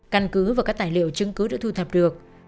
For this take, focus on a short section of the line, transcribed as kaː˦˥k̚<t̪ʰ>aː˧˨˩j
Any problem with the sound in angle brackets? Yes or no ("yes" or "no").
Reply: yes